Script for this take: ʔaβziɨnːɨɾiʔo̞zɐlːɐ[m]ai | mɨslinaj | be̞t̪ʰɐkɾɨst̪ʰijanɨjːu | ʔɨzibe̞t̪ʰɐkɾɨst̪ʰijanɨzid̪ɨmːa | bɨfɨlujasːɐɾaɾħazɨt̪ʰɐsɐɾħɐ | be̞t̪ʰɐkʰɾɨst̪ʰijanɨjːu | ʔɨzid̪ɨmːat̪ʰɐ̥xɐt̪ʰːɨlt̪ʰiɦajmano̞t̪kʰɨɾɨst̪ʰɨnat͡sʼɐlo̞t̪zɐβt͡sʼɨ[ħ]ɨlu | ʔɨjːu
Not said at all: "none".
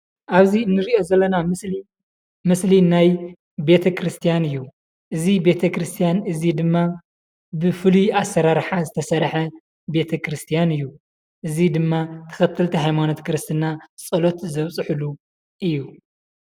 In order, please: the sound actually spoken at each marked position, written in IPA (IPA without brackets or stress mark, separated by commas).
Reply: n, ħ